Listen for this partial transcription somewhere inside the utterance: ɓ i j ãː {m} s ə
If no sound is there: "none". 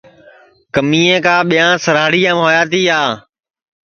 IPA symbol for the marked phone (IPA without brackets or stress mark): none